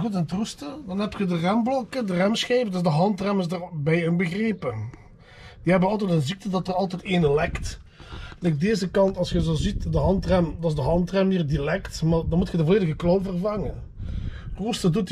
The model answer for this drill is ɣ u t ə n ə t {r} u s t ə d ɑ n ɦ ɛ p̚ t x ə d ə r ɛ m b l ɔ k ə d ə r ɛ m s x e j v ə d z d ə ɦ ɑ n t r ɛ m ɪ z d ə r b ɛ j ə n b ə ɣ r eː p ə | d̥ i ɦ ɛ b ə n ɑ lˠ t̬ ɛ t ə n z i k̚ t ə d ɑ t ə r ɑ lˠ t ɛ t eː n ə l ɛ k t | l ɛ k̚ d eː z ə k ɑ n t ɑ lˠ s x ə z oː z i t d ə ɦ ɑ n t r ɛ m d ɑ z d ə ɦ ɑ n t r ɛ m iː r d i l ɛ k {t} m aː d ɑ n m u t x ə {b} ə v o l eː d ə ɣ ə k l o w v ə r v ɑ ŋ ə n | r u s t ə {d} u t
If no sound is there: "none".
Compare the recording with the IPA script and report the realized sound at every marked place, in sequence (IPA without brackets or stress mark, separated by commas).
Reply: r, t, d, d